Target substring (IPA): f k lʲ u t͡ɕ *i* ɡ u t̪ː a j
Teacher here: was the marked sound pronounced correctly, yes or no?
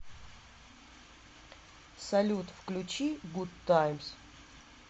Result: yes